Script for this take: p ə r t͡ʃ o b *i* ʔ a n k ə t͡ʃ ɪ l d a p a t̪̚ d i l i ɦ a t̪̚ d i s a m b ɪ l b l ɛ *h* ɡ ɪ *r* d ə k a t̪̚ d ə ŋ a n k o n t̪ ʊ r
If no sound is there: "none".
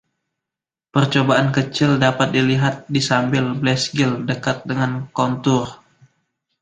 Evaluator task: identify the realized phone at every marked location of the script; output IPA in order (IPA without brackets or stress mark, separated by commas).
a, s, l